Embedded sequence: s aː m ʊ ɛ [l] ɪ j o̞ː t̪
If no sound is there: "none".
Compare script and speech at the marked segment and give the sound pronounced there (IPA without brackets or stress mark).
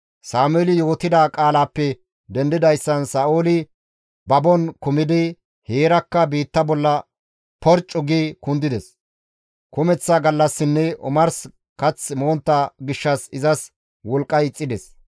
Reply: l